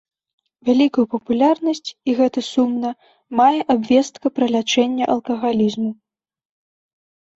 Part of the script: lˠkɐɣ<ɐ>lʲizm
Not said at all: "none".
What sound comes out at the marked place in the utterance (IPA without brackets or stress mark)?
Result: a